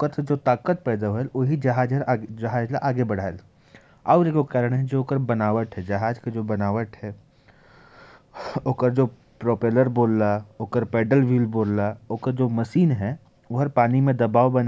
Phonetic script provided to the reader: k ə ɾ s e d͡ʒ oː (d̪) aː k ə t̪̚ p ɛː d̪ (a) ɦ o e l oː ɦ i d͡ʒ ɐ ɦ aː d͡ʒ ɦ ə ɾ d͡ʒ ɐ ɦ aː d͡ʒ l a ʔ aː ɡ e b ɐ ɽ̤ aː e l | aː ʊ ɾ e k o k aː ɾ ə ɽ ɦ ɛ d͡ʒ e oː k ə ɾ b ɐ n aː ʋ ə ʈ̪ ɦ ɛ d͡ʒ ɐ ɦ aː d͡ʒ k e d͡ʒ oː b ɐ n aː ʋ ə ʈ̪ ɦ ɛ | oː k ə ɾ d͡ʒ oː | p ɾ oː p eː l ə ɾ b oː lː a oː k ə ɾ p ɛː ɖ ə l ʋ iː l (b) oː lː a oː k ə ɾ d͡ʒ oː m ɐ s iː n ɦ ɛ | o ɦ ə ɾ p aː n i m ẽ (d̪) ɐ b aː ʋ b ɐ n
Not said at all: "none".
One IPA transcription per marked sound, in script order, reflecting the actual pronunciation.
t̪, a, b, d̪

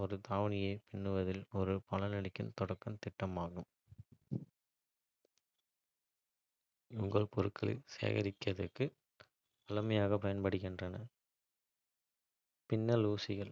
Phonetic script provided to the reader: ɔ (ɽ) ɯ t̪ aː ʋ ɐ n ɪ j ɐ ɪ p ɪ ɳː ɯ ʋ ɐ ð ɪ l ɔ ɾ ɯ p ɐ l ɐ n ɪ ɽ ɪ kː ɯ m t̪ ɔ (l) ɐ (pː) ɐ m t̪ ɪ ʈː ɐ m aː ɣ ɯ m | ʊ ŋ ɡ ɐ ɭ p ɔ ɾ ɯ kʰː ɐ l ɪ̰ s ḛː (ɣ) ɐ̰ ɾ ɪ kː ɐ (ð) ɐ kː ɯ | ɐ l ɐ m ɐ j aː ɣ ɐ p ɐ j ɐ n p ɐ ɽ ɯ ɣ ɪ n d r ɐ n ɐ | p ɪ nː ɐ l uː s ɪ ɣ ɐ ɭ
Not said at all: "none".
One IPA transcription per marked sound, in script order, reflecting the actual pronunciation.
ɾ, ɽ, kː, ɣ, ð

